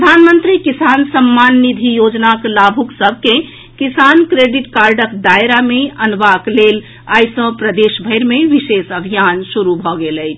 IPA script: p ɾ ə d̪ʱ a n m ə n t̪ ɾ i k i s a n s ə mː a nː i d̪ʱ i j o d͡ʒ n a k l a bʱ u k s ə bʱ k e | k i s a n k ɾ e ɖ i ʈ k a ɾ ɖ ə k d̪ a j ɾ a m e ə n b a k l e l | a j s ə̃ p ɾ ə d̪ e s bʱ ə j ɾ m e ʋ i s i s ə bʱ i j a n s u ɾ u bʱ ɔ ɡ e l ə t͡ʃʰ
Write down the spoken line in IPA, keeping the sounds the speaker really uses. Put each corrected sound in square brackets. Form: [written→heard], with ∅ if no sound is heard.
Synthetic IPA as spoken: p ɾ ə d̪ʱ a n m ə n t̪ ɾ i k i s a n s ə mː a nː i d̪ʱ i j o d͡ʒ n a k l a bʱ u k s ə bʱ k e | k i s a n k ɾ e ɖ i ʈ k a ɾ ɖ ə k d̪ a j ɾ a m e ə n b a k l e l | a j s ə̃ p ɾ ə d̪ e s bʱ ə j ɾ m e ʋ i s [i→e] s ə bʱ i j a n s u ɾ u bʱ ɔ ɡ e l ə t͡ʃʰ